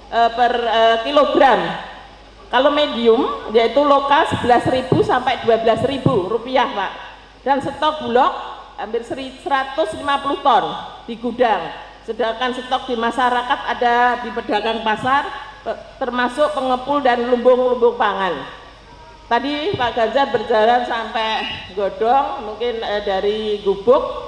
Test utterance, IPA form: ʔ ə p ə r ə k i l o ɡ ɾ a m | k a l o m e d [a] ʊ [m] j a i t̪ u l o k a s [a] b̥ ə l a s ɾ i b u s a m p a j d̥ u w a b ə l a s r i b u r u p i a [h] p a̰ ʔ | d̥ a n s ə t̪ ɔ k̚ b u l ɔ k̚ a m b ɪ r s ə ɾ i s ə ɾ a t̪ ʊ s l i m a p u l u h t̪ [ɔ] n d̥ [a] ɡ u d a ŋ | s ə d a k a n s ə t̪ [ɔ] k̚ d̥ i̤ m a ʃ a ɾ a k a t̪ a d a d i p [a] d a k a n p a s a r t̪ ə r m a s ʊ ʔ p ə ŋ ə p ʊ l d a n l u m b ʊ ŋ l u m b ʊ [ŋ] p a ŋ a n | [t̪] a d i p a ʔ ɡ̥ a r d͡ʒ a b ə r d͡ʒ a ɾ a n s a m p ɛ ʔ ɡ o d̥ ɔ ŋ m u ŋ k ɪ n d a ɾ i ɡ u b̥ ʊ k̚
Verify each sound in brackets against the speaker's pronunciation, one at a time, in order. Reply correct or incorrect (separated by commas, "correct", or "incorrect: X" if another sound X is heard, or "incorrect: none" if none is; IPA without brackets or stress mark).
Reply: incorrect: i, correct, incorrect: ə, correct, correct, incorrect: i, correct, incorrect: ə, correct, correct